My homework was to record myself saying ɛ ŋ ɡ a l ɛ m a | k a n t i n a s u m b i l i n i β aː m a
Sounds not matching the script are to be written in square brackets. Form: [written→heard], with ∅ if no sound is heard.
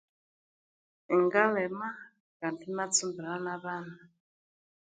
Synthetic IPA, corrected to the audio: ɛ ŋ ɡ a l ɛ m a | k a n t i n a [s→t͡s] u m b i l [i→a] n [i→a] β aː [m→n] a